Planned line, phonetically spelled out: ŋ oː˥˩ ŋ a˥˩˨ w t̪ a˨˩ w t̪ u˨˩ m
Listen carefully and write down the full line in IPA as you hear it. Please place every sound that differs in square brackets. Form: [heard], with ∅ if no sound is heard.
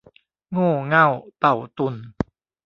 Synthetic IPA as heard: ŋ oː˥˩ ŋ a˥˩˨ w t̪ a˨˩ w t̪ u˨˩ [n]